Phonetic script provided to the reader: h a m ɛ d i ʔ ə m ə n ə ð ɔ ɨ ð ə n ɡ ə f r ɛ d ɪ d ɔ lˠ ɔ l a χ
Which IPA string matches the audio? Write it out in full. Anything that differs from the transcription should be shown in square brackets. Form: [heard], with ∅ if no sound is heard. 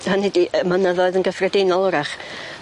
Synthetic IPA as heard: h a [n] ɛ d i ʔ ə m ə n ə ð ɔ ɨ ð ə n ɡ ə f r ɛ d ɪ [n] ɔ lˠ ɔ [ɾ] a χ